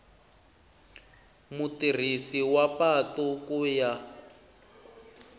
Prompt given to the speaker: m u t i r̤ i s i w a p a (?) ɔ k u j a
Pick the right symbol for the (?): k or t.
t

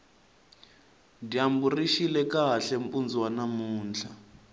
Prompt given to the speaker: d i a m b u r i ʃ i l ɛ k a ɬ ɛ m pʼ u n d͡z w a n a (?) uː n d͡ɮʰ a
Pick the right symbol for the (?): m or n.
m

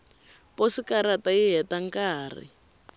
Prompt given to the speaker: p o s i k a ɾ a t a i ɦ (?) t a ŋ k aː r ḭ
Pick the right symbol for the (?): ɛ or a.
ɛ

